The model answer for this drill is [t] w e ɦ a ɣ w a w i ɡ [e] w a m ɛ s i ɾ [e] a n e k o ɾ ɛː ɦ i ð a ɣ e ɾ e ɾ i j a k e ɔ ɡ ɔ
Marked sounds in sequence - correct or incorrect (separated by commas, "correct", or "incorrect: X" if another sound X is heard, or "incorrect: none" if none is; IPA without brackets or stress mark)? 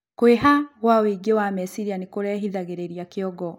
incorrect: k, correct, incorrect: i